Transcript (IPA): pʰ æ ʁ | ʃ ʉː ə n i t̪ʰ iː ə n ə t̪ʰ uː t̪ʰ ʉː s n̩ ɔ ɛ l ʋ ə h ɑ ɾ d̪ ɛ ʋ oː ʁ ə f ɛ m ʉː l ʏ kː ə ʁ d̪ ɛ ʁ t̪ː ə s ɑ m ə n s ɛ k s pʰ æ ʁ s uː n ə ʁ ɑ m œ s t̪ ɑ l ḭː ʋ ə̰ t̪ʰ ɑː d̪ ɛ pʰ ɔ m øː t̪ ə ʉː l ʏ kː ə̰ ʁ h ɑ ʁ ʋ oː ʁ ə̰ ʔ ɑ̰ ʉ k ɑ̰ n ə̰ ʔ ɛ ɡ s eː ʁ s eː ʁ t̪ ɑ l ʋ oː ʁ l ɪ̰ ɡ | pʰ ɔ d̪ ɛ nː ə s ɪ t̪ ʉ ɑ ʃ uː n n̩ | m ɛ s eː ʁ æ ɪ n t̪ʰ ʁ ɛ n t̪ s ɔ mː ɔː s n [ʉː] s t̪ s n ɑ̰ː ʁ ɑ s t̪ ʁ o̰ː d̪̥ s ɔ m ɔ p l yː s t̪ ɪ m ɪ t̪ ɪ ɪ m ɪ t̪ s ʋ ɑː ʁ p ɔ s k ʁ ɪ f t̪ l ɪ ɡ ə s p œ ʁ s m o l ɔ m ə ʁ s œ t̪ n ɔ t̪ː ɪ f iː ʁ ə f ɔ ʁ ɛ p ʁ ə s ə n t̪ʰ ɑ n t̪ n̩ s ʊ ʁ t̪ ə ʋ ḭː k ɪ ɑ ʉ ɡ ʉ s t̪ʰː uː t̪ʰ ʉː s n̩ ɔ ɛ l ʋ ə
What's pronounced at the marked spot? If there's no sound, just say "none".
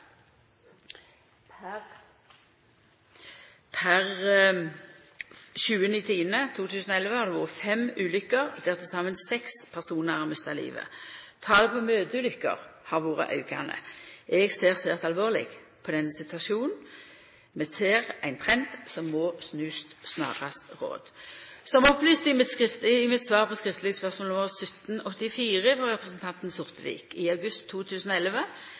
ʉː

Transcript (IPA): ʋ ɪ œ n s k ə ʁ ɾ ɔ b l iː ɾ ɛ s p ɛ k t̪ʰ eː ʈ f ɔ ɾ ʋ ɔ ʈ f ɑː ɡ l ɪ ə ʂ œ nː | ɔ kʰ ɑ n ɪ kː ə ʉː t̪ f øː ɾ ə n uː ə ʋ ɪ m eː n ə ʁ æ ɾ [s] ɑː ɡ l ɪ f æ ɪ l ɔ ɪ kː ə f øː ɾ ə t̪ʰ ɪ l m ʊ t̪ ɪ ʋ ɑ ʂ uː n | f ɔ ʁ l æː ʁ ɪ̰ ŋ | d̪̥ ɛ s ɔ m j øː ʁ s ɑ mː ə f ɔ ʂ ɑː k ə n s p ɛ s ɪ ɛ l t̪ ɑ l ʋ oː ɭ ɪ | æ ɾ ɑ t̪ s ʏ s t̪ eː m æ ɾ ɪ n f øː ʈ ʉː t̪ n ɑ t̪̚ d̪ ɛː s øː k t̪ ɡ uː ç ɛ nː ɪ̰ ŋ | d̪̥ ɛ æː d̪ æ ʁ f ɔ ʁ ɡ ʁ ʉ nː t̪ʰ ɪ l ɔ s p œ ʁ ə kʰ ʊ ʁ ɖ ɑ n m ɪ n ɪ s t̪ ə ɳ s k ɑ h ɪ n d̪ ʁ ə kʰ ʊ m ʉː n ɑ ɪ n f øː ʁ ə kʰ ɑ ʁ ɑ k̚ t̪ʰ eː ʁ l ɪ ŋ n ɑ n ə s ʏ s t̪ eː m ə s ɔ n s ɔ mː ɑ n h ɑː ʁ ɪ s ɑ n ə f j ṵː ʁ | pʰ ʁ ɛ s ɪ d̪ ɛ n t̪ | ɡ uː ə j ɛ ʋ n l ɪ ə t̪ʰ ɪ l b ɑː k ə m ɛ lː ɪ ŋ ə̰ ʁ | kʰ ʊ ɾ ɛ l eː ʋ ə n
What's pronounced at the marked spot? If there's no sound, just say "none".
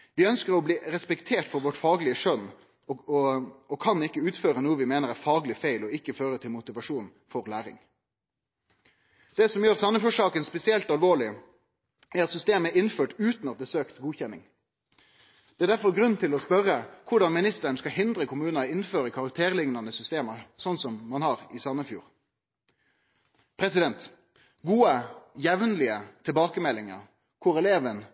f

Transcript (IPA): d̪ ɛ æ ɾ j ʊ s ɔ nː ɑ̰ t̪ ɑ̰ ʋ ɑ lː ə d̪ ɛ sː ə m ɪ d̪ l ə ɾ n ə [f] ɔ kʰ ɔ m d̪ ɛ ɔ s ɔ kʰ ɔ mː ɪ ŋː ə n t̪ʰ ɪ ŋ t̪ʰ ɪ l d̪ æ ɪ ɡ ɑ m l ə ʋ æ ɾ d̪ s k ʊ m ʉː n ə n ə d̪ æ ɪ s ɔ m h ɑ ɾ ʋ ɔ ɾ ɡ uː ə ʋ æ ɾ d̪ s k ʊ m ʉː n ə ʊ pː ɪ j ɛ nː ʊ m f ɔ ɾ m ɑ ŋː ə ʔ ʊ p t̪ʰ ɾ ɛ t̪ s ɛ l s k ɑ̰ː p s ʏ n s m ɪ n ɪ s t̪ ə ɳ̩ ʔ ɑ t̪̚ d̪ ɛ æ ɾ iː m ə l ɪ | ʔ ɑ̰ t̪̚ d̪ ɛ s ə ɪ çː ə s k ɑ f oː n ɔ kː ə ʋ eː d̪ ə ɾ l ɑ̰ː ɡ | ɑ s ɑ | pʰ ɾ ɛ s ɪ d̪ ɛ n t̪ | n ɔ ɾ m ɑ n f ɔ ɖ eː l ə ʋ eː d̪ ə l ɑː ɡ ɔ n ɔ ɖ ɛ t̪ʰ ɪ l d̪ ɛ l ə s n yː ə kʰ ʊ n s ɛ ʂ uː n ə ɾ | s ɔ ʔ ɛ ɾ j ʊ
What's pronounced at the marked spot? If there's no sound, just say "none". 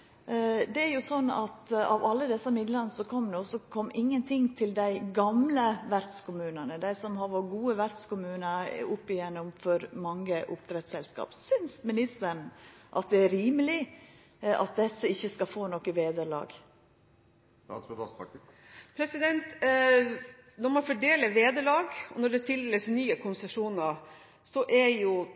s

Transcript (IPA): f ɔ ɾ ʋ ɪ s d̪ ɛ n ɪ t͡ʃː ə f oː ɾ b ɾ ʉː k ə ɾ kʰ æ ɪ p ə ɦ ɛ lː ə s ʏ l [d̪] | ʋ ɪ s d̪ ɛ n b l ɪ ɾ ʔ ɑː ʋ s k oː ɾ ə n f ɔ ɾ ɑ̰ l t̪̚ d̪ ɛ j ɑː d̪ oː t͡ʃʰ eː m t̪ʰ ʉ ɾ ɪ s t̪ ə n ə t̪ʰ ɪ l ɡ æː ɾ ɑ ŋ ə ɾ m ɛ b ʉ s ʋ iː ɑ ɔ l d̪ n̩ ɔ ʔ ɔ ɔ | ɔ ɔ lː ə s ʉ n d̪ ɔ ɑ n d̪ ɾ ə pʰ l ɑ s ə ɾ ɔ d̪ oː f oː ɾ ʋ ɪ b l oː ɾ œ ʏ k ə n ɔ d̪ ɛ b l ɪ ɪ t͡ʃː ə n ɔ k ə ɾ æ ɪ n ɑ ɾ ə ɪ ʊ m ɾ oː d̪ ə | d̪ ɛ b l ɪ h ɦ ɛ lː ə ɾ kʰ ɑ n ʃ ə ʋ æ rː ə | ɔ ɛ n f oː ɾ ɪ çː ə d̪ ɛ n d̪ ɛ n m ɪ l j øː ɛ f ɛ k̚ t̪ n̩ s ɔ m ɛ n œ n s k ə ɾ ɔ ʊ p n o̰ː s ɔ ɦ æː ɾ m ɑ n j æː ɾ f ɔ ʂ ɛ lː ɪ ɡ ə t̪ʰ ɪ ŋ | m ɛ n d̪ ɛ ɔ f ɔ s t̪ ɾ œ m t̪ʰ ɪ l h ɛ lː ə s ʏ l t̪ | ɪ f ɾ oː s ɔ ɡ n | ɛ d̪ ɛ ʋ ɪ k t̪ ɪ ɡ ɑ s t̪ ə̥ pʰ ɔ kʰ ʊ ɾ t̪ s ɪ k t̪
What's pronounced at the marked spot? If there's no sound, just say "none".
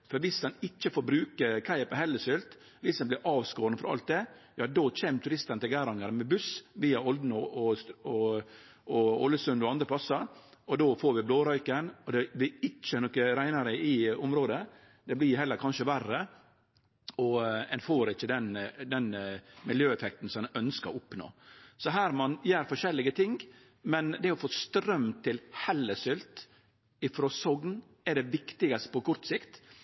t̪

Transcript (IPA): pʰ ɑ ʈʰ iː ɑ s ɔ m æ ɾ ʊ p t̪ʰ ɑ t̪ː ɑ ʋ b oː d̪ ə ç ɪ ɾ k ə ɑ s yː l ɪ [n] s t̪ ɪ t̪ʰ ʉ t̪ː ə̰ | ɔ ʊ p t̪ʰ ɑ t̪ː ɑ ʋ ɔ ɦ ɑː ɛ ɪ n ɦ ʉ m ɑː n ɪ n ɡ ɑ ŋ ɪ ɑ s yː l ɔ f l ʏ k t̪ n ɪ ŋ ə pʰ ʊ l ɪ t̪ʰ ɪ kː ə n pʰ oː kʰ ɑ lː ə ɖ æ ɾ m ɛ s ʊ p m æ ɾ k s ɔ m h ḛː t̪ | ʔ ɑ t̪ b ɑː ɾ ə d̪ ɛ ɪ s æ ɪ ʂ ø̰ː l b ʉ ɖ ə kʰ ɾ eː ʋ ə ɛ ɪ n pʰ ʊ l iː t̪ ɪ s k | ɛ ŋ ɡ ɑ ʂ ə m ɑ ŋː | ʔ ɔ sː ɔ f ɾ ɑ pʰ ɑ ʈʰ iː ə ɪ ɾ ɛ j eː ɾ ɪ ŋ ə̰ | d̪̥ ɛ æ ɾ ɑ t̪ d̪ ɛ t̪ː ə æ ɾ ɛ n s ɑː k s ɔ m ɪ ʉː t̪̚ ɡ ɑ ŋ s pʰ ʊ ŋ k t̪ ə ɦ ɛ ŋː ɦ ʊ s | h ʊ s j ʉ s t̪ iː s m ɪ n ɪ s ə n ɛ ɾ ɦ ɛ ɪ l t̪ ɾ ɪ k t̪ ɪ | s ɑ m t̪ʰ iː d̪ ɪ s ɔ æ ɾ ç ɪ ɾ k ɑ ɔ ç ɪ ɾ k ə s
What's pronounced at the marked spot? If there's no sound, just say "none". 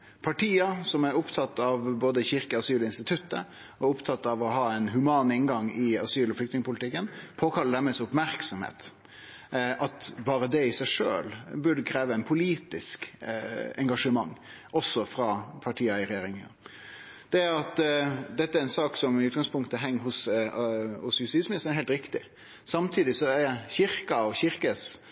n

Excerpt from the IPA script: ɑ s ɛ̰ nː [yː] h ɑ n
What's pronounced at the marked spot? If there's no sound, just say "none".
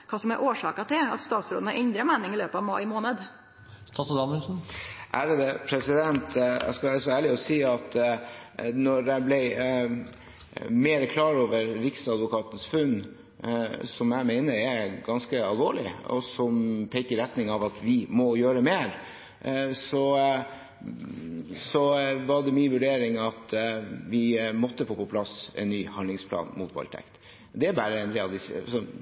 yː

